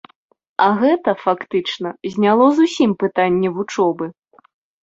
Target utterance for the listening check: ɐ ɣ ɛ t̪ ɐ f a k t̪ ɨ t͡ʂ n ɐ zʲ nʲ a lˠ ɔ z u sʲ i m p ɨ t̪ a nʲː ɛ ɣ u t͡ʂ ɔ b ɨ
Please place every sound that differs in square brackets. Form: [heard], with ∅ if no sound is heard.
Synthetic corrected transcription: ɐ ɣ ɛ t̪ ɐ f a k t̪ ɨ t͡ʂ n ɐ zʲ nʲ a lˠ ɔ z u sʲ i m p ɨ t̪ a nʲː ɛ [v] u t͡ʂ ɔ b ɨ